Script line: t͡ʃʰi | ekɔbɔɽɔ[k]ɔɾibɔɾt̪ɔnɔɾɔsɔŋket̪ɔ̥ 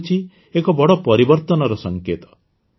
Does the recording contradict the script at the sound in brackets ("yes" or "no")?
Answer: yes